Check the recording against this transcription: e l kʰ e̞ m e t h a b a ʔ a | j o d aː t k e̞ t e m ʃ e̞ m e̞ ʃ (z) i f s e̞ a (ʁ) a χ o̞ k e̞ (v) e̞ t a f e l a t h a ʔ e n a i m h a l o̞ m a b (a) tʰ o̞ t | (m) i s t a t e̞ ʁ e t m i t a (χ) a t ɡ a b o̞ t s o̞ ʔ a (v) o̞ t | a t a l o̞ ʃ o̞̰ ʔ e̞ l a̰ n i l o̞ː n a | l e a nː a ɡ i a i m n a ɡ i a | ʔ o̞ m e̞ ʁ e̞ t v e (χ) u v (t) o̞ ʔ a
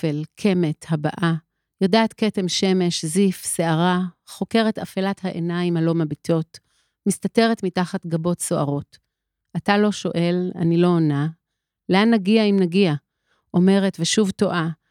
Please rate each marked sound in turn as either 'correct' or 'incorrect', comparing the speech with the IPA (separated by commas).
correct, correct, incorrect, incorrect, correct, correct, incorrect, incorrect, correct